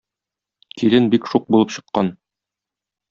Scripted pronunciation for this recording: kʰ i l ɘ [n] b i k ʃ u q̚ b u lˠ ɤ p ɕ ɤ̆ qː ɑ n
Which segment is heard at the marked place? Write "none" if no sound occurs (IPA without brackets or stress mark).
n